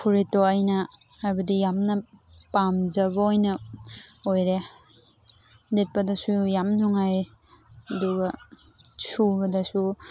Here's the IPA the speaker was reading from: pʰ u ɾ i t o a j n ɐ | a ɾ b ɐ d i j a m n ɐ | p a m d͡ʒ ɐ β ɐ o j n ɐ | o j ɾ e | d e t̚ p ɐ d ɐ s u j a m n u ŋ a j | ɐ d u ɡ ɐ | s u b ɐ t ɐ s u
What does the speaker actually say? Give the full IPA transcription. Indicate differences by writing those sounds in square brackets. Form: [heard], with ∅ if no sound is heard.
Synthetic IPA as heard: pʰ u ɾ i t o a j n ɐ | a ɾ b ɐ d i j a m n ɐ | p a m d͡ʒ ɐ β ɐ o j n ɐ | o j ɾ e | d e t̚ p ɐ d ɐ s u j a m n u ŋ a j | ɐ d u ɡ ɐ | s u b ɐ [d] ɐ s u